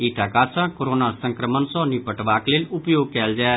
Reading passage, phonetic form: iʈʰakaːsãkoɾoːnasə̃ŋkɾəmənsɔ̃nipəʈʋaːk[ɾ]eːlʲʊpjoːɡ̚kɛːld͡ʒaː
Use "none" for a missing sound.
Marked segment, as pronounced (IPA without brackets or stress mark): l